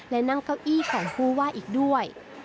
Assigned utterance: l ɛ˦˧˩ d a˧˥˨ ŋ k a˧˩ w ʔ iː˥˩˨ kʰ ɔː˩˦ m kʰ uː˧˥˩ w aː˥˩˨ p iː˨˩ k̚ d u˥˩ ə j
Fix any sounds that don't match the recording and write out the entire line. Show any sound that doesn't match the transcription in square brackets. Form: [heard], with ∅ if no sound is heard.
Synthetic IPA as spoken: l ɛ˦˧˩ [n] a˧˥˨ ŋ k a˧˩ w ʔ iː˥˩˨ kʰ ɔː˩˦ [ŋ] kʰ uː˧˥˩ w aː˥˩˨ [ʔ] iː˨˩ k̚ d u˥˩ ə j